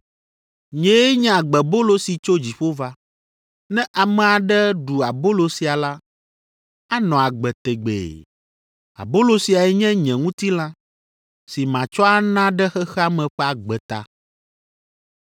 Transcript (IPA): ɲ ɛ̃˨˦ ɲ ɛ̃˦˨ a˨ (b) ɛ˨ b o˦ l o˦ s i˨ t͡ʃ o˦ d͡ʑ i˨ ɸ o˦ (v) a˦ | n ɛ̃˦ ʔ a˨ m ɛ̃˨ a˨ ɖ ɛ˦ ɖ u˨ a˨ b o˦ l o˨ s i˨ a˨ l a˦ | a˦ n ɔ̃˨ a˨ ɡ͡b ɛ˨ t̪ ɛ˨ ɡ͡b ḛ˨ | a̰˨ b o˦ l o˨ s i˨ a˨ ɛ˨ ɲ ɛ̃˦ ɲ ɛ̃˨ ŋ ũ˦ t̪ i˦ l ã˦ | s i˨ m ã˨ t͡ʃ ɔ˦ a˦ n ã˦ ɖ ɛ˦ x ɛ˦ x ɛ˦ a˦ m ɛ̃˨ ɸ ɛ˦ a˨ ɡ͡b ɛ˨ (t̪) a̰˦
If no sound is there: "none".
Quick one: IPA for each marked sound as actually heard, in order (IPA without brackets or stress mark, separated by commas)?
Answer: ɡ͡b, v, t̪